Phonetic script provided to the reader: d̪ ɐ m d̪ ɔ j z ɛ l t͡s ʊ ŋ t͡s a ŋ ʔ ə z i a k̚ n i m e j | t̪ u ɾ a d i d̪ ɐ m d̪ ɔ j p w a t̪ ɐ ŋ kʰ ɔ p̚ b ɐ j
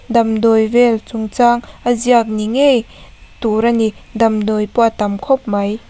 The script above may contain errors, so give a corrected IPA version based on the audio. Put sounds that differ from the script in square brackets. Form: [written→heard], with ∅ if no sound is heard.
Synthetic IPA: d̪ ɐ m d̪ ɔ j [z→v] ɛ l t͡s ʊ ŋ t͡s a ŋ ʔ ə z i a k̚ n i [m→ŋ] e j | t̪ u ɾ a [d→n] i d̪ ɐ m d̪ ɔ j p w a t̪ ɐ [ŋ→m] kʰ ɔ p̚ [b→m] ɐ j